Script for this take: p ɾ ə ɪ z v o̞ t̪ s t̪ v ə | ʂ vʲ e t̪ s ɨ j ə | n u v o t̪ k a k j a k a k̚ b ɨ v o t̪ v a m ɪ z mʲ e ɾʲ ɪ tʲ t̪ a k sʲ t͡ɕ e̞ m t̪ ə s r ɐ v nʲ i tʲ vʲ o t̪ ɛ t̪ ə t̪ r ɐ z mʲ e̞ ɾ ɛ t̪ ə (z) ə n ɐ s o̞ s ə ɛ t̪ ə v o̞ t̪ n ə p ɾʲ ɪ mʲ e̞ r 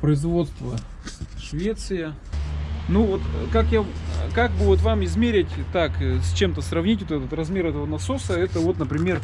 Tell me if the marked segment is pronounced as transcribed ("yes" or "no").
no